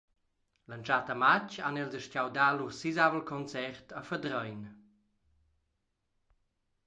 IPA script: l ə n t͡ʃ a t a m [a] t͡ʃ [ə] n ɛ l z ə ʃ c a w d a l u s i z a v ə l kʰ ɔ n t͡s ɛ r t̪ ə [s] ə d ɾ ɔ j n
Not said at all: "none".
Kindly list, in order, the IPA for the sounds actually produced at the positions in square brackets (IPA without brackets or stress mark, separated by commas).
a, a, f